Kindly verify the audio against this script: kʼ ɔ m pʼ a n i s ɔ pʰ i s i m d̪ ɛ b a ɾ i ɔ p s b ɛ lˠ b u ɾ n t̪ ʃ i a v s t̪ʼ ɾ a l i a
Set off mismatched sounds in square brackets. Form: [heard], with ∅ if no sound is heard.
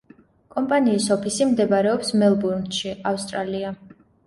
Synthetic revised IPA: kʼ ɔ m pʼ a n [iː] s ɔ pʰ i s i m d̪ ɛ b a ɾ [ɛ] ɔ p s [m] ɛ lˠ b u ɾ n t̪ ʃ i a [f] s t̪ʼ ɾ a l i a

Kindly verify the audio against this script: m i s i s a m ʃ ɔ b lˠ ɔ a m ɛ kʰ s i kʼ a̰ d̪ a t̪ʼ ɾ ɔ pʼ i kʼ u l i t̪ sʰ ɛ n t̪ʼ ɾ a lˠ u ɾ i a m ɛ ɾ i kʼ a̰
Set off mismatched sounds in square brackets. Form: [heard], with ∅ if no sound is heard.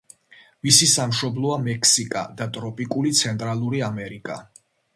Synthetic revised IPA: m i s i s a m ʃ ɔ b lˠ ɔ a m ɛ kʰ s i kʼ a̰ d̪ a t̪ʼ ɾ ɔ pʼ i kʼ u l i t̪ sʰ ɛ n t̪ʼ ɾ a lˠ u ɾ i a m ɛ ɾ i kʼ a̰

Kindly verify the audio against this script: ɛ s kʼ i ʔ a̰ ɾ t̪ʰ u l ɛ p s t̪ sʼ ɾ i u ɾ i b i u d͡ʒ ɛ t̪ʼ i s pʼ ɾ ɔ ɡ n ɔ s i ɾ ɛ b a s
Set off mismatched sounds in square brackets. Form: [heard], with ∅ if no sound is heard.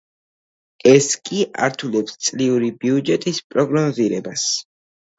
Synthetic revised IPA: ɛ s kʼ i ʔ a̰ ɾ t̪ʰ u l ɛ p s t̪ sʼ [l] i u ɾ i b i u d͡ʒ ɛ t̪ʼ i s pʼ ɾ ɔ ɡ n ɔ [z] i ɾ ɛ b a s

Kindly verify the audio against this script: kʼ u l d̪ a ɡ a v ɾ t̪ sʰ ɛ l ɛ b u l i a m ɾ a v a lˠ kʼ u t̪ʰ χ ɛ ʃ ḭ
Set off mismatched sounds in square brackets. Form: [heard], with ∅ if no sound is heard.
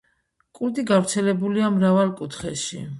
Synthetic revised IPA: kʼ u [ɾ] d̪ [i] ɡ a v ɾ t̪ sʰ ɛ l ɛ b u l i a m ɾ a v a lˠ kʼ u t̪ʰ χ ɛ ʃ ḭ

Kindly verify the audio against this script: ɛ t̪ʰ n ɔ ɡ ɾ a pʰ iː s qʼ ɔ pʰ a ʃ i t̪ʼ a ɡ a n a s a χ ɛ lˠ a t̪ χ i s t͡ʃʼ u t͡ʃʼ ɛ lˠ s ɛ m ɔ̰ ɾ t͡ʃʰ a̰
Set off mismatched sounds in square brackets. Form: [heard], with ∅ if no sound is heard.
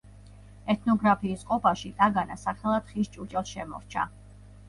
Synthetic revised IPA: ɛ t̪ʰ n ɔ ɡ ɾ a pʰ iː s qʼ ɔ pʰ a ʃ i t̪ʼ a ɡ a n a s a χ ɛ lˠ a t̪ χ i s t͡ʃʼ u t͡ʃʼ ɛ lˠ [ʃ] ɛ m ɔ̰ ɾ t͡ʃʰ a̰

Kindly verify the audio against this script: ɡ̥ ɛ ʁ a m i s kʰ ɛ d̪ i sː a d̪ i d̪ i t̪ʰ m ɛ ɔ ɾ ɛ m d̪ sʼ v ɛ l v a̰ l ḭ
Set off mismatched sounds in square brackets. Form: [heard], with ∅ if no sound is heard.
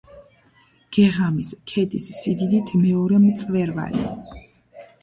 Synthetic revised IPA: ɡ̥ ɛ ʁ a m i s kʰ ɛ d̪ i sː [i] d̪ i d̪ i t̪ʰ m ɛ ɔ ɾ ɛ m [t̪] sʼ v ɛ [ɾ] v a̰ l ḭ

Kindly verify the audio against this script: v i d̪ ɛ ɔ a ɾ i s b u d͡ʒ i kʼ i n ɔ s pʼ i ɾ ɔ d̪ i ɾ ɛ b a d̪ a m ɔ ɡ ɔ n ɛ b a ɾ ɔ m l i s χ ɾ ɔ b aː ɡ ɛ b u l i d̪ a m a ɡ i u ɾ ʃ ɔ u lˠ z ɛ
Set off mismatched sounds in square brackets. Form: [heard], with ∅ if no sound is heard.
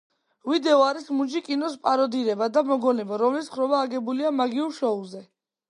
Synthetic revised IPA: v i d̪ ɛ ɔ a ɾ i s [m] u d͡ʒ i kʼ i n ɔ s pʼ [a] ɾ ɔ d̪ i ɾ ɛ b a d̪ a m ɔ ɡ ɔ n ɛ b a ɾ ɔ m l i s χ ɾ ɔ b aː ɡ ɛ b u l i [∅] a m a ɡ i u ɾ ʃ ɔ u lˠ z ɛ

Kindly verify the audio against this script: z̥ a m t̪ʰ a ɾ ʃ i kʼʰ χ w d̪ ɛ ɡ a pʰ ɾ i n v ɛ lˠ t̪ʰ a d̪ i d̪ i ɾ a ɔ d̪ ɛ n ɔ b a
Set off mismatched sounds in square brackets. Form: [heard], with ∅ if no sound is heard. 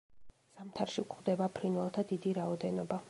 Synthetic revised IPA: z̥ a m t̪ʰ a ɾ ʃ i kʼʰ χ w d̪ ɛ [b] a pʰ ɾ i n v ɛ lˠ t̪ʰ a d̪ i d̪ i ɾ a ɔ d̪ ɛ n ɔ b a

